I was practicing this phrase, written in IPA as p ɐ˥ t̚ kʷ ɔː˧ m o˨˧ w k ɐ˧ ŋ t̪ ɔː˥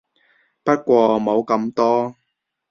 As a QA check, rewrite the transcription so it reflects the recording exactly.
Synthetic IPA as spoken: p ɐ˥ t̚ kʷ ɔː˧ m o˨˧ w k ɐ˧ m t̪ ɔː˥